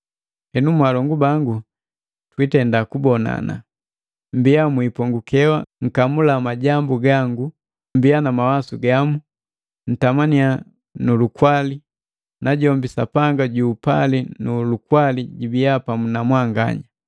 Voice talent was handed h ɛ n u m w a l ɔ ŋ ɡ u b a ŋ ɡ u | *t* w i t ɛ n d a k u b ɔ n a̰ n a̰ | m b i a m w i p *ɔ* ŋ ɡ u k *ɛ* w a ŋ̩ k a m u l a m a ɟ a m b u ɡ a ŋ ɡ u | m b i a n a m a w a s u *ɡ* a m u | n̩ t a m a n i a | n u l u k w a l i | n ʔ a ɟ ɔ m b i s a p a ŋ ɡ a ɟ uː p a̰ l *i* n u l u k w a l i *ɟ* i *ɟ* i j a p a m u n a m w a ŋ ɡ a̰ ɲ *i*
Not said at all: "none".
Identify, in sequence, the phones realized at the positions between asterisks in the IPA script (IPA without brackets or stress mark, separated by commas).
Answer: t, ɔ, ɛ, ɡ, i, ɟ, b, a